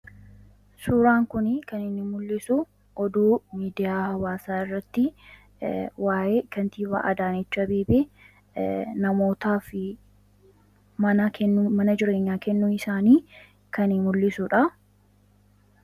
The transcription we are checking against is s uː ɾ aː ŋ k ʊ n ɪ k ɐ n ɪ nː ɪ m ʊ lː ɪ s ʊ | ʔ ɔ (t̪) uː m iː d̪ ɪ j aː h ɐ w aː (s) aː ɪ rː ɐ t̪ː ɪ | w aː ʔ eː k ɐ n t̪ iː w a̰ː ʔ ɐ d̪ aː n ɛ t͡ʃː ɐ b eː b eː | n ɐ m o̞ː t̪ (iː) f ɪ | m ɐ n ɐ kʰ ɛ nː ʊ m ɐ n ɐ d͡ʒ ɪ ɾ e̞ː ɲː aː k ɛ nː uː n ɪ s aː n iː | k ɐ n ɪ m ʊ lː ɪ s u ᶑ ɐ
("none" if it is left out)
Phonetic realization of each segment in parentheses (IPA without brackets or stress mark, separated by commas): d̪, s, aː